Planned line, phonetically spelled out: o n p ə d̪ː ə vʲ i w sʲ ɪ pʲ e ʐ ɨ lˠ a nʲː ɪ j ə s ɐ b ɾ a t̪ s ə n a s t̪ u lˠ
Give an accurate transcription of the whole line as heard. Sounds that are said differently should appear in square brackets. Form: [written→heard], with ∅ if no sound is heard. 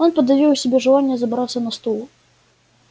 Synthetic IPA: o n p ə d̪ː [ə→ɐ] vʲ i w sʲ ɪ [pʲ→bʲ] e ʐ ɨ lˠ a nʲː ɪ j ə [s→z] ɐ b ɾ a t̪ s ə n [a→ɐ] s t̪ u lˠ